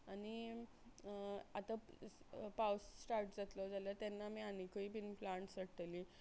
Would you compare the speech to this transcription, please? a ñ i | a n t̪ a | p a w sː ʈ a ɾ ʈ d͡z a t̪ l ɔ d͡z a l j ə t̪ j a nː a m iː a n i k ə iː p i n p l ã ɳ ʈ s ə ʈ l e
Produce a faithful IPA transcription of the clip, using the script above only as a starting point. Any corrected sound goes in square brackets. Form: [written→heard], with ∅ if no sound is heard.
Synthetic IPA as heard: a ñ i | a [n→∅] t̪ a | p a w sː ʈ a ɾ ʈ d͡z a t̪ l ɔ d͡z a l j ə t̪ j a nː a m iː a n i k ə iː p i n p l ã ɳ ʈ s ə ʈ l [e→i]